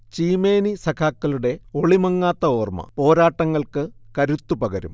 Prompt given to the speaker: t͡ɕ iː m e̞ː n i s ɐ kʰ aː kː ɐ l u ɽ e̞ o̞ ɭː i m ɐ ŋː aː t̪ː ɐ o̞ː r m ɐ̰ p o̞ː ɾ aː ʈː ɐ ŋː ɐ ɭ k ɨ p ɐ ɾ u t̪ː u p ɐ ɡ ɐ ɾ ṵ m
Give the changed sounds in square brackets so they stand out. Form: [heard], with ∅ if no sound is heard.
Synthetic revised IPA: t͡ɕ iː m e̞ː n i s ɐ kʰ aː kː ɐ l u ɽ e̞ o̞ [ɭ] i m ɐ ŋː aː t̪ː ɐ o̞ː r m ɐ̰ p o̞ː ɾ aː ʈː ɐ ŋː ɐ ɭ k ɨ [k] ɐ ɾ u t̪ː u p ɐ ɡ ɐ ɾ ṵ m